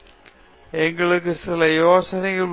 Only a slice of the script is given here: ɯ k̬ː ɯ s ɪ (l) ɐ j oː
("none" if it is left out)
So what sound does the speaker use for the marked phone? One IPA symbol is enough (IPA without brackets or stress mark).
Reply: l